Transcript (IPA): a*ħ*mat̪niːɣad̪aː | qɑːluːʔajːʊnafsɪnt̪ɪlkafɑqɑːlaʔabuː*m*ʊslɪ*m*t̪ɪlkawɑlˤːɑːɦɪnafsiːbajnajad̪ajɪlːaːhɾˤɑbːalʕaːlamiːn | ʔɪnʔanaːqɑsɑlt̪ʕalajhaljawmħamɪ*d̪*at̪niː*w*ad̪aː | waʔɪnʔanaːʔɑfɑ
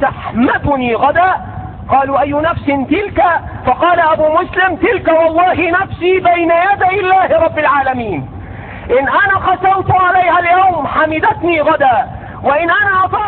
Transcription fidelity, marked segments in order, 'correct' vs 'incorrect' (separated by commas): correct, correct, correct, correct, incorrect